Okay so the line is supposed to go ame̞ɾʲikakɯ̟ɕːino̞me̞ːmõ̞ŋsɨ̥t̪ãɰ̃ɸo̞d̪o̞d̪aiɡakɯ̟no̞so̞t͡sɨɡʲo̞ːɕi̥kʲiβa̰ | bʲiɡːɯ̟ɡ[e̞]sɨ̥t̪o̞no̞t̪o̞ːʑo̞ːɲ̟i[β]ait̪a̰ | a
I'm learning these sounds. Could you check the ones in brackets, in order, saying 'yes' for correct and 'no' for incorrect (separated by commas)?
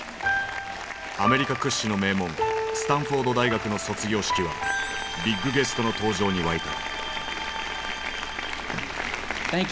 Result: yes, yes